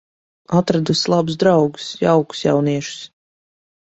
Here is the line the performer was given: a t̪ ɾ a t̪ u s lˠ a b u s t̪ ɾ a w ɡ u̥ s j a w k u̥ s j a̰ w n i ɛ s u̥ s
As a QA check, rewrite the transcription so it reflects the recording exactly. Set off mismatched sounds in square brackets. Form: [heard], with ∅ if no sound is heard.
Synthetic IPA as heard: a t̪ ɾ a [d̪] u s lˠ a b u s [d̪] ɾ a w ɡ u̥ s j a w k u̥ s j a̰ w n i ɛ [ʃ] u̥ s

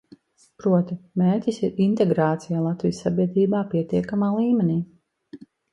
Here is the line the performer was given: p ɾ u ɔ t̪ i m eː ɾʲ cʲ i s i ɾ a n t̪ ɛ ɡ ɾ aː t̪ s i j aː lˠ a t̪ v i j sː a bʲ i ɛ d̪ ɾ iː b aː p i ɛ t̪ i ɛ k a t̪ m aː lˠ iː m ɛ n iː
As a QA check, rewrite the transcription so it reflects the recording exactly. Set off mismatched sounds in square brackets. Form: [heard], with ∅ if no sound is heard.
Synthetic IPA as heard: p ɾ u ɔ t̪ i m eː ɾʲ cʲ i s i ɾ [i] n t̪ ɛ ɡ ɾ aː t̪ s i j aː lˠ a t̪ v i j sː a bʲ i ɛ d̪ ɾ iː b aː p i ɛ t̪ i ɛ k a [∅] m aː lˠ iː m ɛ n iː

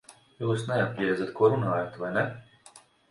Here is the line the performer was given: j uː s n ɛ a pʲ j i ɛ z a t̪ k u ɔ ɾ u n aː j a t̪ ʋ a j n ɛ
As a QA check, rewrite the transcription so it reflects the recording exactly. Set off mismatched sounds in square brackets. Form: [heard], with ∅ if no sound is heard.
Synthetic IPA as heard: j uː s n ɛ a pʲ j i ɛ z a t̪ k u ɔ ɾ u n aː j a t̪ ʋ a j n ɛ

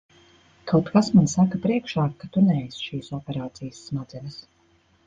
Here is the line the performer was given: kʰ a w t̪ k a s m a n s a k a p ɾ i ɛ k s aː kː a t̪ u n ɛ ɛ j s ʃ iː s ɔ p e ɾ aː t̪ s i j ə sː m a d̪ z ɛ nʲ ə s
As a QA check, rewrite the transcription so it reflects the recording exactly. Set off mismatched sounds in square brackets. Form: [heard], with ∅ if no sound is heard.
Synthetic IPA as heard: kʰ a w t̪ k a s m a n s a k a p ɾ i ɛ k [ʃ] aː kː a t̪ u n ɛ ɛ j s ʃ iː s ɔ p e ɾ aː t̪ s i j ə sː m a d̪ z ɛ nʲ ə s

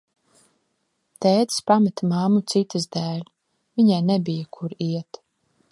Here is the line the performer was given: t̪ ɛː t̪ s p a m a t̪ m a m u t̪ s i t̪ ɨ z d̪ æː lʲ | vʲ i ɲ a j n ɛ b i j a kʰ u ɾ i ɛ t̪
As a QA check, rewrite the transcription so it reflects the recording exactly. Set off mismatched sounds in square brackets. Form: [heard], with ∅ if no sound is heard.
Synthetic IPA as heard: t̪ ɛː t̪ s p a m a t̪ m a m u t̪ s i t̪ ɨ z d̪ æː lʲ | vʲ i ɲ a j n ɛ b i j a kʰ u ɾ i ɛ t̪

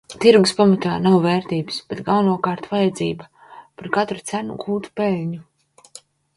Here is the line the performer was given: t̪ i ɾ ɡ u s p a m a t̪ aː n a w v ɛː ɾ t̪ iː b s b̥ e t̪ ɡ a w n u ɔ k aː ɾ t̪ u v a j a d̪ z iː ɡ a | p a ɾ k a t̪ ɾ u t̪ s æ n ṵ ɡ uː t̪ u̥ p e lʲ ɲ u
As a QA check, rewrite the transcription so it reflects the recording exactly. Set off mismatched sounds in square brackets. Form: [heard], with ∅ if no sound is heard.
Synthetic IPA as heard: t̪ i ɾ ɡ u s p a m a t̪ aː n a w v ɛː ɾ t̪ iː b s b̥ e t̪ ɡ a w n u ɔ k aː ɾ t̪ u v a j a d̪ z iː [b] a | p a ɾ k a t̪ ɾ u t̪ s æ n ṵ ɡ uː t̪ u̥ p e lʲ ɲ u

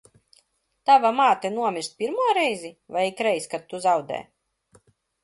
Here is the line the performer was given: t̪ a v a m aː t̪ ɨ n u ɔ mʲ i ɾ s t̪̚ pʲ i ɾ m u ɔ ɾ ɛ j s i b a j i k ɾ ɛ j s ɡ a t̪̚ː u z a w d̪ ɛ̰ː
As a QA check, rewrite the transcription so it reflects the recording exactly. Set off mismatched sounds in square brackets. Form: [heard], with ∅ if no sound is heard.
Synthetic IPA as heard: t̪ a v a m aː t̪ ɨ n u ɔ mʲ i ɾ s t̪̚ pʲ i ɾ m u ɔ ɾ ɛ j [z] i [v] a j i k ɾ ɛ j s [k] a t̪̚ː u z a w d̪ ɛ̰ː

